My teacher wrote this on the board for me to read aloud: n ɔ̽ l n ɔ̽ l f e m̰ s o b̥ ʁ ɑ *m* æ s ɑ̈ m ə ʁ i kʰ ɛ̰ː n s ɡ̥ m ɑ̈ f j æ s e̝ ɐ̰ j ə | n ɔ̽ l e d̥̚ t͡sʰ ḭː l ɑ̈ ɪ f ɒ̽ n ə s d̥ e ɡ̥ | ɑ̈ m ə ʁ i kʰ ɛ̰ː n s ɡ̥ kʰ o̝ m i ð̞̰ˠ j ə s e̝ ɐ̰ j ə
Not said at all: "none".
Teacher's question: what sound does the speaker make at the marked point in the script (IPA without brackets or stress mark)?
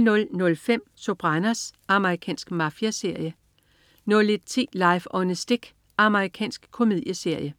n